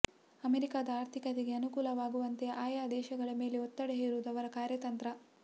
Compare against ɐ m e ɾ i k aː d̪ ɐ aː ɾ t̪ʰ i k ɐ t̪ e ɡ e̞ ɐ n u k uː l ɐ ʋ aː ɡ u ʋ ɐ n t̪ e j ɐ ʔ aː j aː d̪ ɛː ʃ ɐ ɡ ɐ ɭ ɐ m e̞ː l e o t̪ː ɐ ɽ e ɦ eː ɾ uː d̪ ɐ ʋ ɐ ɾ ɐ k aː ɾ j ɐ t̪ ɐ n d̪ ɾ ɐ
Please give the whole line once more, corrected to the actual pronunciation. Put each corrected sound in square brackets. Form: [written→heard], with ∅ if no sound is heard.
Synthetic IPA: ɐ m e ɾ i k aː d̪ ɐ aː ɾ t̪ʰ i k ɐ t̪ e ɡ e̞ ɐ n u k uː l ɐ ʋ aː ɡ u ʋ ɐ n t̪ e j ɐ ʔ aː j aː d̪ ɛː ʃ ɐ ɡ ɐ ɭ ɐ m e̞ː l e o t̪ː ɐ ɽ e ɦ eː ɾ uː d̪ ɐ ʋ ɐ ɾ ɐ k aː ɾ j ɐ t̪ ɐ n [d̪→t̪] ɾ ɐ